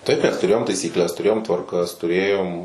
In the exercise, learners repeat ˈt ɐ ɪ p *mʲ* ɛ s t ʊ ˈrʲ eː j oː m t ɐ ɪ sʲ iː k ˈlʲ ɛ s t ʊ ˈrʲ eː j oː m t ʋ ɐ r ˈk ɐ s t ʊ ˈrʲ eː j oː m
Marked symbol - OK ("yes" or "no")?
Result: yes